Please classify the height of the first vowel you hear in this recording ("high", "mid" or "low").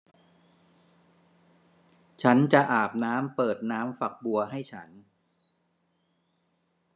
low